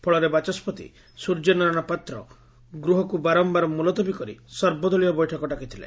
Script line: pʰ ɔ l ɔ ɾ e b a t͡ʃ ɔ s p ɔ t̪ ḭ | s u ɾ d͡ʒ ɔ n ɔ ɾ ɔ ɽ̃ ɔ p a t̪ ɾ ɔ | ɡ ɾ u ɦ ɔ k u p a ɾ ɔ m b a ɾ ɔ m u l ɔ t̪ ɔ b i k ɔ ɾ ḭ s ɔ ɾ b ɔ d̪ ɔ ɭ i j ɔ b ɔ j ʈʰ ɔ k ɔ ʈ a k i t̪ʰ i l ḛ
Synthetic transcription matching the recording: pʰ ɔ ɭ ɔ ɾ e b a t͡ʃ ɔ s p ɔ t̪ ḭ | s u ɾ d͡ʒ ɔ n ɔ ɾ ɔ ɽ̃ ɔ p a t̪ ɾ ɔ | ɡ ɾ u ɦ ɔ k u b a ɾ ɔ m b a ɾ ɔ m u l ɔ t̪ ɔ b i k ɔ ɾ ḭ s ɔ ɾ b ɔ d̪ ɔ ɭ i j ɔ b ɔ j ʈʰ ɔ k ɔ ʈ a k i t̪ʰ i l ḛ